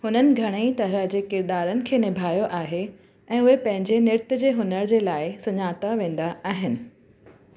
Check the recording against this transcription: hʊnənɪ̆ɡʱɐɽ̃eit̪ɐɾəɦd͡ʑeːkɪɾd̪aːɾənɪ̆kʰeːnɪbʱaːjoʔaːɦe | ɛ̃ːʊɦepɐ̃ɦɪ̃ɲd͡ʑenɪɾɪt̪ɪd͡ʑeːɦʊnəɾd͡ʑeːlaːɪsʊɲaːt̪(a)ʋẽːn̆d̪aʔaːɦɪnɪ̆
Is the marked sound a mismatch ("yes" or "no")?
no